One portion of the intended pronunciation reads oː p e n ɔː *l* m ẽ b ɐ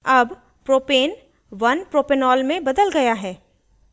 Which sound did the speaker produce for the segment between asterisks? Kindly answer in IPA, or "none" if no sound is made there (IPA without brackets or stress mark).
l